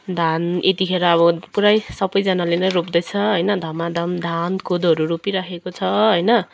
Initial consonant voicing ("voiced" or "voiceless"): voiced